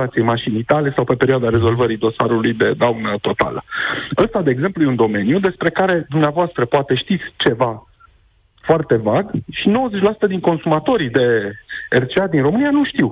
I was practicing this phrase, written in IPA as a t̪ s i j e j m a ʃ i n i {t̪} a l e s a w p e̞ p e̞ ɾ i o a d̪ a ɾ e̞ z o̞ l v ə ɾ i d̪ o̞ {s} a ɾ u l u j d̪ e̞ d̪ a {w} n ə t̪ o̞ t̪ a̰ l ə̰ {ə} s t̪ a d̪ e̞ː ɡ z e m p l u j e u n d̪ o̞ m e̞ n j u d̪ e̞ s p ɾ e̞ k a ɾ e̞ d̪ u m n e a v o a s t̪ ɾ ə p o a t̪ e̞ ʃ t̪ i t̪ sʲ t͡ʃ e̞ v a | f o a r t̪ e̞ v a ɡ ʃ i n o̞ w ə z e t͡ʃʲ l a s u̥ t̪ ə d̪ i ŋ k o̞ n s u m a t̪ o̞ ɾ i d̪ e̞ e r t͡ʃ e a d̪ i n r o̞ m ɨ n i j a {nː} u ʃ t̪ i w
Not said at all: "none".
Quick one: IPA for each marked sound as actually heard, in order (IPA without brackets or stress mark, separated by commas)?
t̪, s, w, ə, n